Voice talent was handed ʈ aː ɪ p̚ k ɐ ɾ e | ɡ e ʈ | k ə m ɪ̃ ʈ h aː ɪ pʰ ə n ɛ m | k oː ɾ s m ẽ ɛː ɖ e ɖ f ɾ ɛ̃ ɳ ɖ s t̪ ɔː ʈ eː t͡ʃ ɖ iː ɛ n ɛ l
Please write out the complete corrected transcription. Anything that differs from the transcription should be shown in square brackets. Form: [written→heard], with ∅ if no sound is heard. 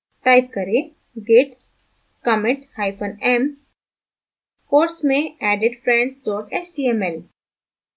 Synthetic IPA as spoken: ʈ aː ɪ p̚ k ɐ ɾ e | ɡ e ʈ | k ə m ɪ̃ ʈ h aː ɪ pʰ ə n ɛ m | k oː ɾ s m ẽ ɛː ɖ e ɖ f ɾ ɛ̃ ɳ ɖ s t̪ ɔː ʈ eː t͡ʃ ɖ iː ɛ [n→m] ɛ l